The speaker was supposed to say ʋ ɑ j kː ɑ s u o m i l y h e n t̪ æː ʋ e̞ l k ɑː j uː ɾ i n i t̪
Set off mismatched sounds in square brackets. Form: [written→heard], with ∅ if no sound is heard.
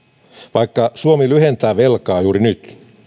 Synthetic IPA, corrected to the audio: ʋ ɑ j kː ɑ s u o m i l y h e n t̪ æː ʋ e̞ l k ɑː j uː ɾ i n [i→y] t̪

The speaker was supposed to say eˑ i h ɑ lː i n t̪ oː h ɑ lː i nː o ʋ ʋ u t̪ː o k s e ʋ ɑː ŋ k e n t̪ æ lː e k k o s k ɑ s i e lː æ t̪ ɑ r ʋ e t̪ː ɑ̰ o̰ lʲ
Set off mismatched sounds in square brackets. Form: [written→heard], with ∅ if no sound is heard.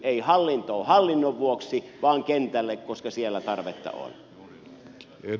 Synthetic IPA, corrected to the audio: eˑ i h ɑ lː i n t̪ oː h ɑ lː i nː o ʋ ʋ u [t̪ː→∅] o k s [e→i] ʋ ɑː ŋ k e n t̪ æ lː e k k o s k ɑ s i e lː æ t̪ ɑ r ʋ e t̪ː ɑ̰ o̰ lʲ

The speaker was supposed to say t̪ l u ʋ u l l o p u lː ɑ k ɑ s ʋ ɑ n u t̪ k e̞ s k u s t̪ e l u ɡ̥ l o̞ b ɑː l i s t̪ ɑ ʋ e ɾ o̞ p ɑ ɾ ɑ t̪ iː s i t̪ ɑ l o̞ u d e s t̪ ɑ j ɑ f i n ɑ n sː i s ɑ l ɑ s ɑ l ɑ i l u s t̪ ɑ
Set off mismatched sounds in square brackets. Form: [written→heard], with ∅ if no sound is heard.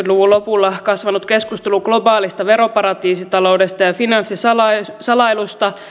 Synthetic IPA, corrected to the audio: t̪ l u ʋ u l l o p u lː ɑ k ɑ s ʋ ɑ n u t̪ k e̞ s k u s t̪ e l u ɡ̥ l o̞ b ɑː l i s t̪ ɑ ʋ e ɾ o̞ p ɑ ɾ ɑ t̪ iː s i t̪ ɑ l o̞ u d e s t̪ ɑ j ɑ f i n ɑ n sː i s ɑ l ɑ s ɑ l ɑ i l u s t̪ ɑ

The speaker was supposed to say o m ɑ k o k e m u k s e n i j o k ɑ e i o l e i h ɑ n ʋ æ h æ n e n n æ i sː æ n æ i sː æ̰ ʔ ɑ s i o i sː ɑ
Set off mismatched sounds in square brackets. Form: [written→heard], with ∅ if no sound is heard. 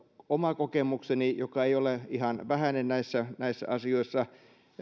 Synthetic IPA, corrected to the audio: o m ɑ k o k e m u k s e n i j o k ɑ e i o l e i h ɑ n ʋ æ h æ n e n n æ i sː æ n æ i sː æ̰ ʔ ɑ s i o i sː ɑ

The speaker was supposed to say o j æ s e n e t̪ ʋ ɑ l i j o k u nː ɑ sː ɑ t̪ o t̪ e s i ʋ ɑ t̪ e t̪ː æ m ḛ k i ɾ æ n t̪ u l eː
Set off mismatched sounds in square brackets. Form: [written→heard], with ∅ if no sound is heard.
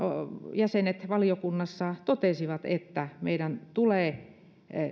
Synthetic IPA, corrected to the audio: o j æ s e n e t̪ ʋ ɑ l i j o k u nː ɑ sː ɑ t̪ o t̪ e s i ʋ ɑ t̪ e t̪ː æ m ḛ [k→∅] i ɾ æ n t̪ u l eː

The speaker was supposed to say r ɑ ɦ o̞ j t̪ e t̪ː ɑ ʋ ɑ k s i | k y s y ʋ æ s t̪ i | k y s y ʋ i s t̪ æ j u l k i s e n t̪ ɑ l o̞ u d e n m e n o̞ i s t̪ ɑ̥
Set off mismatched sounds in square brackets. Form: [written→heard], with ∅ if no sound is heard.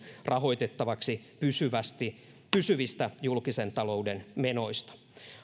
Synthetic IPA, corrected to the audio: r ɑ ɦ o̞ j t̪ e t̪ː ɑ ʋ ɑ k s i | [k→p] y s y ʋ æ s t̪ i | [k→p] y s y ʋ i s t̪ æ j u l k i s e n t̪ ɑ l o̞ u d e n m e n o̞ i s t̪ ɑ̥

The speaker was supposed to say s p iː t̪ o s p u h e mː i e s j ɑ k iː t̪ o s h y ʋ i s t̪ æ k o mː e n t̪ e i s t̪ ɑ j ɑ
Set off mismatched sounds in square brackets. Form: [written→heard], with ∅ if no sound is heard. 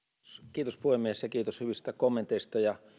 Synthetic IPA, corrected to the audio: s [p→k] iː t̪ o s p u h e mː i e s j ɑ k iː t̪ o s h y ʋ i s t̪ æ k o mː e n t̪ e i s t̪ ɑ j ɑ

